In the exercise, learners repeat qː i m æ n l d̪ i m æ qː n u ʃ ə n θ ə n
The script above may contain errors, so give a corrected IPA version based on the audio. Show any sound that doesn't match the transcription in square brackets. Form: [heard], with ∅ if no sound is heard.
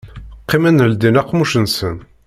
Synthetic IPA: qː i m æ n l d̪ i [n] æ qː [m] u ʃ ə n [s] ə n